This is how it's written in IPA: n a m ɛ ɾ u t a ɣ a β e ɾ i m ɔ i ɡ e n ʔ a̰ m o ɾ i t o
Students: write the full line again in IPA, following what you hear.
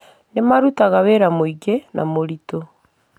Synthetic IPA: n e m a ɾ u t a ɣ a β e ɾ a m o i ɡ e n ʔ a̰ m o ɾ i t o